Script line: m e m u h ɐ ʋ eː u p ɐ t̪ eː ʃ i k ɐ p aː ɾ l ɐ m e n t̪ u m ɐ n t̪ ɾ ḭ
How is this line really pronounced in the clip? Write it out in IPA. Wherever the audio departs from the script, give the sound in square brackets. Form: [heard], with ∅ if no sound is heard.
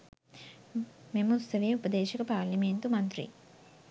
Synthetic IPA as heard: m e m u [s] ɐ ʋ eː u p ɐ [d̪] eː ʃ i k ɐ p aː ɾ l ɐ m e n t̪ u m ɐ n t̪ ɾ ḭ